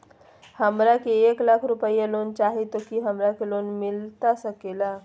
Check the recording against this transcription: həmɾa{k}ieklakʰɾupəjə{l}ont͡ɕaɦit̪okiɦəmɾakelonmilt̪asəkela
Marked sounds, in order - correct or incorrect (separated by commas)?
correct, correct